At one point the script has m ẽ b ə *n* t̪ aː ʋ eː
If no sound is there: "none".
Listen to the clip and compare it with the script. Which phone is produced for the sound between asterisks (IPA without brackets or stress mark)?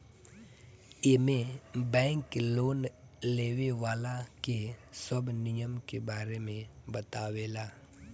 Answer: none